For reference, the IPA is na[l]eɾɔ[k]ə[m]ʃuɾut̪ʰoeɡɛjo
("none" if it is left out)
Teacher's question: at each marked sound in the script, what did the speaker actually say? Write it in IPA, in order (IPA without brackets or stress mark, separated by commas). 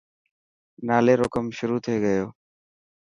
l, k, m